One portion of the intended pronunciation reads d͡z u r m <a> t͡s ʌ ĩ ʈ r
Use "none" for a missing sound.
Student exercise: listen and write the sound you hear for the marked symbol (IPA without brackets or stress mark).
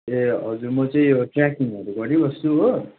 ʌ